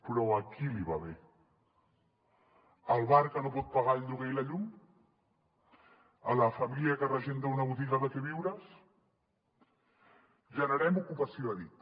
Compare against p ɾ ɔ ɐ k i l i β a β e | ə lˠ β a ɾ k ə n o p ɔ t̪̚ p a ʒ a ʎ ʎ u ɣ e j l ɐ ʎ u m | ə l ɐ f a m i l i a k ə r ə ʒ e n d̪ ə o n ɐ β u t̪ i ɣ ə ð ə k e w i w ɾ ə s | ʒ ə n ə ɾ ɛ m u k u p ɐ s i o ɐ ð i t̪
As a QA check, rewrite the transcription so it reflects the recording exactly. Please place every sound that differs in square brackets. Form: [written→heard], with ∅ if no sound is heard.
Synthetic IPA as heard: p ɾ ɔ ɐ k i l i β a β e | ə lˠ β a ɾ k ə n o p ɔ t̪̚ p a [ʒ→ɣ] a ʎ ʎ u ɣ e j l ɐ ʎ u m | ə l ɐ f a m i l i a k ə r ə ʒ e n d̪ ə [o→u] n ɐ β u t̪ i ɣ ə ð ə k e [w→β] i w ɾ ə s | ʒ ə n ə ɾ ɛ m u k u p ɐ s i o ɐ ð i t̪